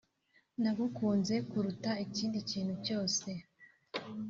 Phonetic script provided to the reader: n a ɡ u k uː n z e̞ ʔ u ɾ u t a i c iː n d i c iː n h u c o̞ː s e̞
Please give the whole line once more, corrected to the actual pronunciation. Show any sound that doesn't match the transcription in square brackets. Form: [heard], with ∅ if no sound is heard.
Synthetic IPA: n a ɡ u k uː n z e̞ [k] u ɾ u t a i c iː n d i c iː n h u c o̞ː s e̞